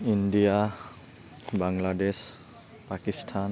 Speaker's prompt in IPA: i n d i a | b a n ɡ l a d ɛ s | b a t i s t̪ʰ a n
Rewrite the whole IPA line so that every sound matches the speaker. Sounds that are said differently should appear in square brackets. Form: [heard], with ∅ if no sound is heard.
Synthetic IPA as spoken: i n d i a | b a [ŋ] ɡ l a d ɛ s | [p] a [k] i s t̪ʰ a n